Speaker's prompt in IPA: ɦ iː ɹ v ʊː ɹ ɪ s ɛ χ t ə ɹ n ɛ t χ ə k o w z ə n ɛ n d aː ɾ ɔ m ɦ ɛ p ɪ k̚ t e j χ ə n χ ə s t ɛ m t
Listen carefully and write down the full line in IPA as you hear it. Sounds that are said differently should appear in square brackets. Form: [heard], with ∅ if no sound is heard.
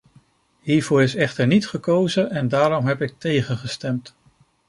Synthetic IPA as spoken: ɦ iː ɹ v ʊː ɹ ɪ s ɛ χ t ə ɹ n [i] t χ ə k o w z ə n ɛ n d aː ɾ ɔ m ɦ ɛ p ɪ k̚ t e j χ ə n χ ə s t ɛ m t